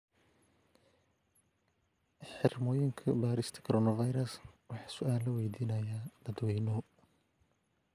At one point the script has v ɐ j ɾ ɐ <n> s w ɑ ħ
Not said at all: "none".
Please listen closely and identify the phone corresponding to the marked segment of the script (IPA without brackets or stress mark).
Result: none